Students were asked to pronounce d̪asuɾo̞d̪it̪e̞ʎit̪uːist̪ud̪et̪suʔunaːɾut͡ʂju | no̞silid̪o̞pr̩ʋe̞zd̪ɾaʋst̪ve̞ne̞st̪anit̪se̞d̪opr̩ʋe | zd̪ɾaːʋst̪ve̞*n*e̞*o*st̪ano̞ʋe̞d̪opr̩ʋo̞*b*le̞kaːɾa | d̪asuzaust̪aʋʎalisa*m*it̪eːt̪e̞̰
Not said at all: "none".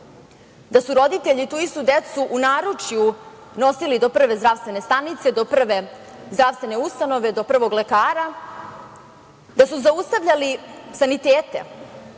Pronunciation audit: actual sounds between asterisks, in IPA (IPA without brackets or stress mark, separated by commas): n, u, ɡ, n